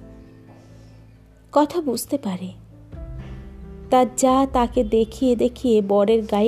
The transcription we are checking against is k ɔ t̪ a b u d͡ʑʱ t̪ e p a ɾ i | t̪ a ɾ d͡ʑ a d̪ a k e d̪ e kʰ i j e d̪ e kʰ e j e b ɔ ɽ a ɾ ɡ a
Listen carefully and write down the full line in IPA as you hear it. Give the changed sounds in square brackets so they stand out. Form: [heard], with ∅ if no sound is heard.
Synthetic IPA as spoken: k ɔ [t̪ʰ] a b u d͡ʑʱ t̪ e p a ɾ [e] | t̪ a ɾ d͡ʑ a [t̪] a k e d̪ e kʰ i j e d̪ e kʰ [i] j e b ɔ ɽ [e] ɾ ɡ a